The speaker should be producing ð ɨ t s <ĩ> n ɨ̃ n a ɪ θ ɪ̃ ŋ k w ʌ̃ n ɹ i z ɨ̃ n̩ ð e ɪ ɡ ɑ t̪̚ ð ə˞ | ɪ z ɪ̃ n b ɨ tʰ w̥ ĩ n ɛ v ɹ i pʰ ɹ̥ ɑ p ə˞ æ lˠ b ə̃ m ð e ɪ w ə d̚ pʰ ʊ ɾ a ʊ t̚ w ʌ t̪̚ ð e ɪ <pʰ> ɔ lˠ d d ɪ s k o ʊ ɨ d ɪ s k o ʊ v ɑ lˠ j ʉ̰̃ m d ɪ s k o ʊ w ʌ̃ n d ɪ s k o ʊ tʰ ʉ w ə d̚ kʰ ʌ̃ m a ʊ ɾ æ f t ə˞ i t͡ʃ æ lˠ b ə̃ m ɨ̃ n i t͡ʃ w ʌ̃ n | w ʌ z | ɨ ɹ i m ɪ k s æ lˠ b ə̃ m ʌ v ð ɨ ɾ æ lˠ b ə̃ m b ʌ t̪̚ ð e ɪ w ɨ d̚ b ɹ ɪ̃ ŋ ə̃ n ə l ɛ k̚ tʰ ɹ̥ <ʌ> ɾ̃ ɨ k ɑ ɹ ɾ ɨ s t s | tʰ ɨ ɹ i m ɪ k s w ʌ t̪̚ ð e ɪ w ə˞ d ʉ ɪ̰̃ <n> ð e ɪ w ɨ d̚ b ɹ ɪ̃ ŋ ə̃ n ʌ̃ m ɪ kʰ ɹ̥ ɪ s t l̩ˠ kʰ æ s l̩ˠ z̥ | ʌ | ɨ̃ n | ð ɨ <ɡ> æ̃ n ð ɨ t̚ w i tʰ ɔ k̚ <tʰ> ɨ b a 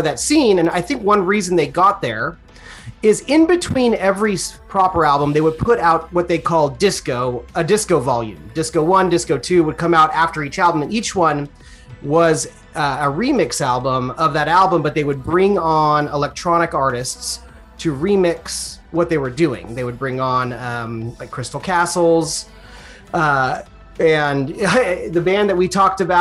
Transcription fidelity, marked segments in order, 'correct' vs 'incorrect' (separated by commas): correct, incorrect, incorrect, incorrect, incorrect, incorrect